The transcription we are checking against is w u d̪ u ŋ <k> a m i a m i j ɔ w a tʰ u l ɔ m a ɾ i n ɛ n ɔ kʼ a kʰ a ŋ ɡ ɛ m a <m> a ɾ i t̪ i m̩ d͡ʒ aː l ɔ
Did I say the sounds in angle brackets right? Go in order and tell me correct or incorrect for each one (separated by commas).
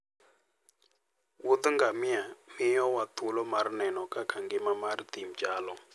incorrect, correct